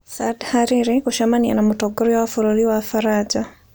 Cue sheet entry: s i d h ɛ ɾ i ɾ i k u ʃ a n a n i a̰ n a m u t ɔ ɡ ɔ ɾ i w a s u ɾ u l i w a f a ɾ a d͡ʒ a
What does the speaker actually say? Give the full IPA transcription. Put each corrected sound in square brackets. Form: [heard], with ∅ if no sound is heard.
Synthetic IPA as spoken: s [a] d h [a] ɾ i ɾ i k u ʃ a [m] a n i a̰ n a m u t ɔ ɡ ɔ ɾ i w a [f] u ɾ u l i w a f a ɾ a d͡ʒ a